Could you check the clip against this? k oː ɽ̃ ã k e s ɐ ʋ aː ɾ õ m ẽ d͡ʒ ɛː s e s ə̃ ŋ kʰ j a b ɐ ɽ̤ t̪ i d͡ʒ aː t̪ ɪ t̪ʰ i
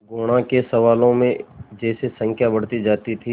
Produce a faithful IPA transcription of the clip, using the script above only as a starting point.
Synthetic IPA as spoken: ɡ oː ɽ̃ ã k e s ɐ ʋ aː l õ m ẽ d͡ʒ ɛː s e s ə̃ ŋ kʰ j a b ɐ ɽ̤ t̪ i d͡ʒ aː t̪ i t̪ʰ i